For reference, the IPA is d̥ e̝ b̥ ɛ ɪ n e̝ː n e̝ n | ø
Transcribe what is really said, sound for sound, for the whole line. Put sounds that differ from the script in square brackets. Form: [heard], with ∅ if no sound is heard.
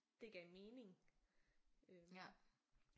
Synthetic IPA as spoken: d̥ e̝ [ɡ̥] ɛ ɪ [m] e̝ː n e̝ [ŋ] | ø